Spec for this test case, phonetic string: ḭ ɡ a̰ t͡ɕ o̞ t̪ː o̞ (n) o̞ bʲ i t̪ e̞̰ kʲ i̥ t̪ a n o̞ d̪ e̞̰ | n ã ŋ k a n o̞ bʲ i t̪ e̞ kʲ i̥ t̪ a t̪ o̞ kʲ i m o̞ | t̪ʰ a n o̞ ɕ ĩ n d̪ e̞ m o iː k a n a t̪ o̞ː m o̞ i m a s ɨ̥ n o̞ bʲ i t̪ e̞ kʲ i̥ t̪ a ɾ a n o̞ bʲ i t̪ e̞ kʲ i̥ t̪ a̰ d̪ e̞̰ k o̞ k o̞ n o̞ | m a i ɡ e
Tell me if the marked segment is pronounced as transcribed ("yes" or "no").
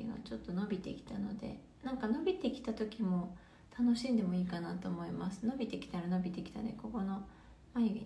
yes